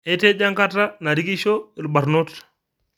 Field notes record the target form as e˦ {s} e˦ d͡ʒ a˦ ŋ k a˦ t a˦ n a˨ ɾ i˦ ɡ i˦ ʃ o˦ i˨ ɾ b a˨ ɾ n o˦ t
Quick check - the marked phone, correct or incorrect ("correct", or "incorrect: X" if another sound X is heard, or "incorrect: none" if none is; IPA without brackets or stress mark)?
incorrect: t